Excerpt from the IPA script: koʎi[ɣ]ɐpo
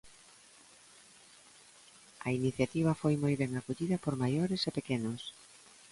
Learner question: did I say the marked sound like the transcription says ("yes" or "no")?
no